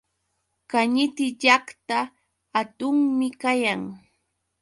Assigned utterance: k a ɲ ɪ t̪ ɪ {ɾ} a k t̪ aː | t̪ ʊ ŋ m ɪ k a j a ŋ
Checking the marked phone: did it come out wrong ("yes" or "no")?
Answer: yes